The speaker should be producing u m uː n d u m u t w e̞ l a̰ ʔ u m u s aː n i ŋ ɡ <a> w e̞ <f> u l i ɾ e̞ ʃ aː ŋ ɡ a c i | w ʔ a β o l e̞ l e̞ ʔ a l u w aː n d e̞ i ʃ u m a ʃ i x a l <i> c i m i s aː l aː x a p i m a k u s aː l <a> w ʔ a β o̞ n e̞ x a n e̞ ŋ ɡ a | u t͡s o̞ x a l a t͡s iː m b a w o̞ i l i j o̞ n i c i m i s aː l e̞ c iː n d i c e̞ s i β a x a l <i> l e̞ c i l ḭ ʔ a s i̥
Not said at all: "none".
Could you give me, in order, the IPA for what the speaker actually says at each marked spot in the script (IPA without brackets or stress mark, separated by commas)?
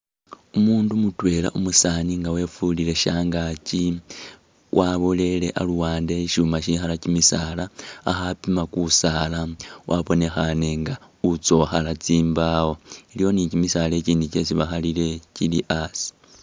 a, f, a, a, i